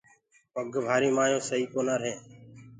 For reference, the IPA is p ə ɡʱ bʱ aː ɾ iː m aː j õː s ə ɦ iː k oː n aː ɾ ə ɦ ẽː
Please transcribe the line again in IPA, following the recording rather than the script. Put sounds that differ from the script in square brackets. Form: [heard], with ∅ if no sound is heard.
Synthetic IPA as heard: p ə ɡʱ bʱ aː ɾ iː m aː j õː s ə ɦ iː k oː n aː ɾ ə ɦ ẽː